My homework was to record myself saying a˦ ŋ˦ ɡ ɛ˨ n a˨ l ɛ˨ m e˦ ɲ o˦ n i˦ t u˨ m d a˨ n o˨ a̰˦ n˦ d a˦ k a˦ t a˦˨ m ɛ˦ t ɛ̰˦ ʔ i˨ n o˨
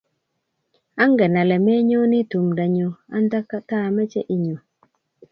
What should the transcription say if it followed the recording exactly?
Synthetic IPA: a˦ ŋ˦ ɡ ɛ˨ n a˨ l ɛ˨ m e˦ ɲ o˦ n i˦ t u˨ m d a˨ ɲ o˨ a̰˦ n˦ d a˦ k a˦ t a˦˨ m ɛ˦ t͡ʃ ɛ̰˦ ʔ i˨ ɲ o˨